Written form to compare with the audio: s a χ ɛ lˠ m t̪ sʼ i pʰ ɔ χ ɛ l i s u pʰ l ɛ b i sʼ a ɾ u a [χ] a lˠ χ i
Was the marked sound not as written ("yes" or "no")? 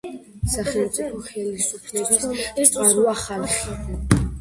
no